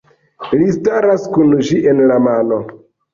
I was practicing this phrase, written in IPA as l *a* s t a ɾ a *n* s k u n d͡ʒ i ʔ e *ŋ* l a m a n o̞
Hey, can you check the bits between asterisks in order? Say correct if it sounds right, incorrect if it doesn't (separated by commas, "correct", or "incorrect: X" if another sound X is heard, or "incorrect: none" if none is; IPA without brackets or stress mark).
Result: incorrect: i, incorrect: none, incorrect: n